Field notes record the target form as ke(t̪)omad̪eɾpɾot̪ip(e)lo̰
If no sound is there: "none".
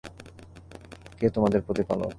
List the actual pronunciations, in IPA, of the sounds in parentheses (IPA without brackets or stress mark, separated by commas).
t̪, a